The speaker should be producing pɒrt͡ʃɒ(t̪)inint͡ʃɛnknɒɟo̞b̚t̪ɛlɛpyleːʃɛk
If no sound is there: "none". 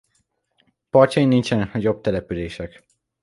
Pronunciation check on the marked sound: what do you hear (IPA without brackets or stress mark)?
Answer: none